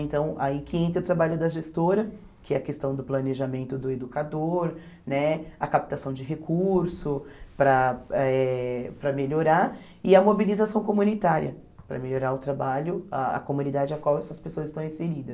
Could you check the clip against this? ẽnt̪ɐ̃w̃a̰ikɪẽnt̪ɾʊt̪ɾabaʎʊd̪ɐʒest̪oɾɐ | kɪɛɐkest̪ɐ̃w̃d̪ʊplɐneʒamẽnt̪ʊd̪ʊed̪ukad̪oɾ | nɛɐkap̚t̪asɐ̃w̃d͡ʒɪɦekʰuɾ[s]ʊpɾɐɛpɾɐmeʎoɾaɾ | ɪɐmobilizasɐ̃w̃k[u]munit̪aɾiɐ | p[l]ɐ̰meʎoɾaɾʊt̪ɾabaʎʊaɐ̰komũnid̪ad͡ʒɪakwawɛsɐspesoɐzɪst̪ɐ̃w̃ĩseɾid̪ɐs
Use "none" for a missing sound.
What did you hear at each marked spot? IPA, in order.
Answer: s, o, ɾ

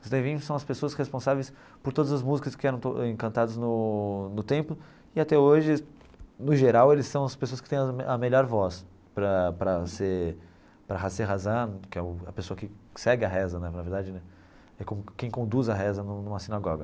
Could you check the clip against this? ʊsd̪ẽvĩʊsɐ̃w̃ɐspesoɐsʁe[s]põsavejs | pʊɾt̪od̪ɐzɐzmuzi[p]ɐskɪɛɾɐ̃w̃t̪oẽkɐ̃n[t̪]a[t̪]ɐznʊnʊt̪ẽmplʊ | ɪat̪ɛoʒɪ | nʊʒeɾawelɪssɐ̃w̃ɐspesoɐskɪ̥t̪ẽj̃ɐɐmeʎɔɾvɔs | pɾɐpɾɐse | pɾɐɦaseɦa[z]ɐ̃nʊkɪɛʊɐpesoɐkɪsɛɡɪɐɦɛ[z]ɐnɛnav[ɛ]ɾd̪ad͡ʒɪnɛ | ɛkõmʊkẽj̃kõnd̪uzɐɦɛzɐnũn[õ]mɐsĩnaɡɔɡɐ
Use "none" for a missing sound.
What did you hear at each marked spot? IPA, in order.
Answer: s, k, t̪, d̪, z, z, e, ũ

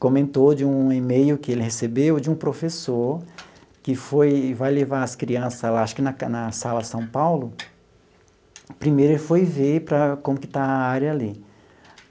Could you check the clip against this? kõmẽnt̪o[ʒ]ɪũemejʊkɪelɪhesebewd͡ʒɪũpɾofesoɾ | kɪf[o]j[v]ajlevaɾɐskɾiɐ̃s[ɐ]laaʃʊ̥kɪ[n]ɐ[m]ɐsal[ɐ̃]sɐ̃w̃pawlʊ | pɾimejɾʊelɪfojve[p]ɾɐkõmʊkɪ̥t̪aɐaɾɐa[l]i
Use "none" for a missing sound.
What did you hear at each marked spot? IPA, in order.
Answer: d͡ʒ, o, v, ɐ, n, n, ɐ, p, l

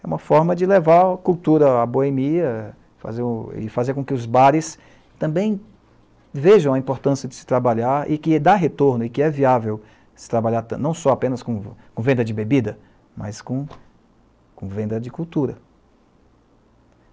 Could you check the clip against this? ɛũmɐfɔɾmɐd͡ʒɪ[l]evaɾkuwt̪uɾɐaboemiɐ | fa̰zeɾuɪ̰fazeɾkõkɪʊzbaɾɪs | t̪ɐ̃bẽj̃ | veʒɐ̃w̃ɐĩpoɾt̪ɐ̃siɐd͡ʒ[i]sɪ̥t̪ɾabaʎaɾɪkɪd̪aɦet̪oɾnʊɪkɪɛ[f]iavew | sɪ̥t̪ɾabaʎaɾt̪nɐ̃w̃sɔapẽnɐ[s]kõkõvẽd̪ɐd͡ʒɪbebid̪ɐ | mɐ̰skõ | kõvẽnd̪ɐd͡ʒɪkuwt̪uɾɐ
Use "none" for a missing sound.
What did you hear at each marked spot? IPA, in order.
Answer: l, ɪ, v, s

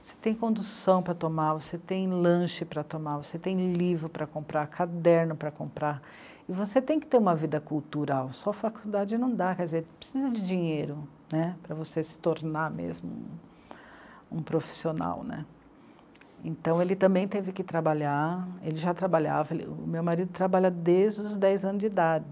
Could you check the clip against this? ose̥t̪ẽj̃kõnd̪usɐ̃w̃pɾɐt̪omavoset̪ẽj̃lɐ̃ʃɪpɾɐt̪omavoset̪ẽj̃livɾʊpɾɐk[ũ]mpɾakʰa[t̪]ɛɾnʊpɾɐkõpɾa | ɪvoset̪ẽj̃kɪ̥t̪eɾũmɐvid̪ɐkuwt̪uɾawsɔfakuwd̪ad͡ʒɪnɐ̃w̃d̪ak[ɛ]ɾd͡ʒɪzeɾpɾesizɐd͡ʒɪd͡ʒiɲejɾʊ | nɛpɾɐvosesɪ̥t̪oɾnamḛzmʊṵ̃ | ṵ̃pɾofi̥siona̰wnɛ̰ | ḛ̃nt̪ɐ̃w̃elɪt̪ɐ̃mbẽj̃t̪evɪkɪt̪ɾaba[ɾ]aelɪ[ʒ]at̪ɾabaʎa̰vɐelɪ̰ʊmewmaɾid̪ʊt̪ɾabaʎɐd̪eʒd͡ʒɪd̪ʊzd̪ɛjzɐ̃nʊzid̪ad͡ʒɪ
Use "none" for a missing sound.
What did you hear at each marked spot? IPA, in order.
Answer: õ, d̪, ɛ, ʎ, ʒ

